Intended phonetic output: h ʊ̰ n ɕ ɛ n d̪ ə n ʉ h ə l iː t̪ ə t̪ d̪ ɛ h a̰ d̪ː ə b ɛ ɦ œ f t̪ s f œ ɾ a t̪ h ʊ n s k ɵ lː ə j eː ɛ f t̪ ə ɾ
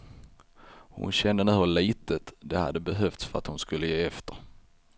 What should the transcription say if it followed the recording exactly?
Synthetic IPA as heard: h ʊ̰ n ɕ ɛ n d̪ ə n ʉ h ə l iː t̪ ə t̪ d̪ ɛ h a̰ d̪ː ə b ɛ ɦ œ f t̪ s f œ ɾ a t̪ h ʊ n s k ɵ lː ə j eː ɛ f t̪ ə ɾ